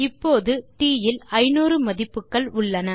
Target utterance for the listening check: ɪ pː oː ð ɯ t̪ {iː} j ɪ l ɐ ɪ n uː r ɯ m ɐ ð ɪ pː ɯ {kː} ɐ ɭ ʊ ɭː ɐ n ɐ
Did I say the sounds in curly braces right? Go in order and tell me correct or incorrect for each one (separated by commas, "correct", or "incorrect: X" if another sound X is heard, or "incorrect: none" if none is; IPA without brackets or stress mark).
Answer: correct, correct